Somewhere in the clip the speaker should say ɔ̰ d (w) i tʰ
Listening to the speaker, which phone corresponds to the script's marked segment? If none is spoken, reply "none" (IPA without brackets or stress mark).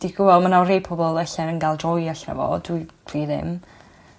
w